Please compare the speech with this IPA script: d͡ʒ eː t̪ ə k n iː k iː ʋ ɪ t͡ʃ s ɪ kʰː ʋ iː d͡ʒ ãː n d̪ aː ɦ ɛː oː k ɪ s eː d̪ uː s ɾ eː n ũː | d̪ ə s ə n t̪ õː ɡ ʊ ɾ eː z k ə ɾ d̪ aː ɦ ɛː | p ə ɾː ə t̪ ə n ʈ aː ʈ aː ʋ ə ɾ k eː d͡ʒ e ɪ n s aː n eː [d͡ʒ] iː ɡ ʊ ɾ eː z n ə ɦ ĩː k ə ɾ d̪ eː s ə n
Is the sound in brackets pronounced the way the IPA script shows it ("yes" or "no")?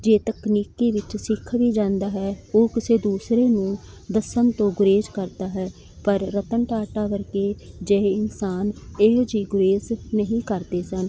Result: yes